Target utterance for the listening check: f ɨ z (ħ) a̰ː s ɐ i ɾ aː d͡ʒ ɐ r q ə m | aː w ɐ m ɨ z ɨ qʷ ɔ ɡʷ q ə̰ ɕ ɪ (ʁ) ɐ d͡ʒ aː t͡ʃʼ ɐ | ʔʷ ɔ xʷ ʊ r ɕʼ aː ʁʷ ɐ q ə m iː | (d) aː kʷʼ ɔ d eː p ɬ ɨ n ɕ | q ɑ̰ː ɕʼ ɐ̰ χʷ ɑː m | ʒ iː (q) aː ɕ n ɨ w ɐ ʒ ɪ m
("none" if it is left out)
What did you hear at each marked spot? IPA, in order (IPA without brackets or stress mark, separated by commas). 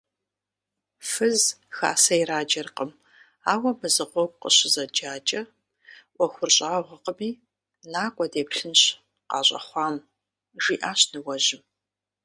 x, z, n, ʔ